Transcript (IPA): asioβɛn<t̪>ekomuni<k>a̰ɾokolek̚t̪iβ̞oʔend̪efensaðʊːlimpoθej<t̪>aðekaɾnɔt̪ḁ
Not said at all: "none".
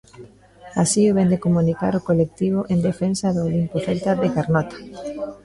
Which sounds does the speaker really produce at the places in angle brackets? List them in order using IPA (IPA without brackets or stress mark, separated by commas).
d̪, k, t̪